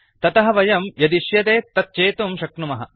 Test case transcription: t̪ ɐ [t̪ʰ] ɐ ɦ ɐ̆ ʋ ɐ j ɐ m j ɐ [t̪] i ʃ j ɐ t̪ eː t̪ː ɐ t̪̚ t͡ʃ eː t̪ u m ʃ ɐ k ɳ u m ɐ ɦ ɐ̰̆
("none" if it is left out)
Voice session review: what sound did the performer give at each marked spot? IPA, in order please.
t̪, d̪

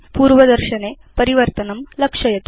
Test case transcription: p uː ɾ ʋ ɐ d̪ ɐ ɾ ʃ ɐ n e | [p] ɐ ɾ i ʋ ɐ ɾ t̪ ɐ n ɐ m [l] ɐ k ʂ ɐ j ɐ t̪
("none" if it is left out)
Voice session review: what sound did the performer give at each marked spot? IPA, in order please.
p, l

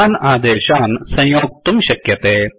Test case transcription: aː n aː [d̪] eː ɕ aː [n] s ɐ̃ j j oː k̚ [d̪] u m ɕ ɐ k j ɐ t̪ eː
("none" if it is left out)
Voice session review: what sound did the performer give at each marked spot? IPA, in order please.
d̪, n, t̪

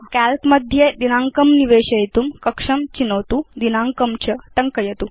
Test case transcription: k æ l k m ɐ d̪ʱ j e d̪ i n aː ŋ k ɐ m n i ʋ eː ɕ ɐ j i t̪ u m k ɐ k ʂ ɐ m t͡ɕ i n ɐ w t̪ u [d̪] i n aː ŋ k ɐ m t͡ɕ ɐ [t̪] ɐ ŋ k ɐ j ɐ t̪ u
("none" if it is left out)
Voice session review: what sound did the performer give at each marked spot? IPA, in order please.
d̪, t̪

